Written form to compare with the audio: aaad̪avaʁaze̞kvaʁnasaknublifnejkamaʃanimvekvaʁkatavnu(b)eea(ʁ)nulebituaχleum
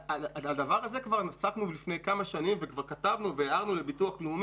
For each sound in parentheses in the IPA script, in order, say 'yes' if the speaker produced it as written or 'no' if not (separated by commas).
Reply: no, yes